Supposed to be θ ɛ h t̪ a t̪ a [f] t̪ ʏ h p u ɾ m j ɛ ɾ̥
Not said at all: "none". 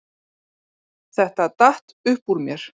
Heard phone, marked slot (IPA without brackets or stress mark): h